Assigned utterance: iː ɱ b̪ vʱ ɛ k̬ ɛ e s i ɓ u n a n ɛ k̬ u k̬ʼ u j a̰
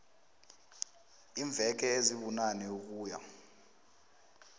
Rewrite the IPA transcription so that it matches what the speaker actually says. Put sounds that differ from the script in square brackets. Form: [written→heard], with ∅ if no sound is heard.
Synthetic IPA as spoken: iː ɱ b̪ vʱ ɛ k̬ ɛ e [s→z] i ɓ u n a n ɛ [k̬→∅] u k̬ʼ [u→uː] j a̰